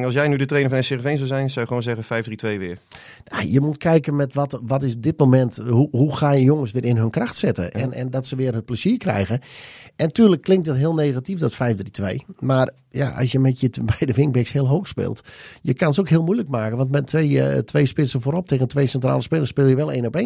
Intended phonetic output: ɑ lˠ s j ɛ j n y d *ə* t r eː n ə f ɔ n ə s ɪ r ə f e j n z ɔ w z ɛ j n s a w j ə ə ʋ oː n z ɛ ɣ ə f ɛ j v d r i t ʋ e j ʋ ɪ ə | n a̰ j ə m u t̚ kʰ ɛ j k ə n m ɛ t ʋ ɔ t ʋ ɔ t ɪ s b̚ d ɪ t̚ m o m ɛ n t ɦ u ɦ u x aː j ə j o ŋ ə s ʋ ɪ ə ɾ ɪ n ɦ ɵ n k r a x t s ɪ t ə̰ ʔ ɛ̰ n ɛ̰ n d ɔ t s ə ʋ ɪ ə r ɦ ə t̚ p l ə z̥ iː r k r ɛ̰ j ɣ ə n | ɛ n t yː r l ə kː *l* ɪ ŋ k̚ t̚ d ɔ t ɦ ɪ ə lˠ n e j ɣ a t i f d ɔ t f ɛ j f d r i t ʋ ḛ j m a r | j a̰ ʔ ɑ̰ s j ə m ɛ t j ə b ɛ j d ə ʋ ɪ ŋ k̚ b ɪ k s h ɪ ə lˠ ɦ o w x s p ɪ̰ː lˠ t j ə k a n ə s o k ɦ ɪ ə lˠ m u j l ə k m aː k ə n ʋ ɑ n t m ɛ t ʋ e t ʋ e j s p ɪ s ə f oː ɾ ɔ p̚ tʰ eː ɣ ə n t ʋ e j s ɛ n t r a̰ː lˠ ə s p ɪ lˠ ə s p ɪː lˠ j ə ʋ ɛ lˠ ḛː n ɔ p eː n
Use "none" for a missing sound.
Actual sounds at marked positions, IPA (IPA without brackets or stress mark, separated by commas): ə, l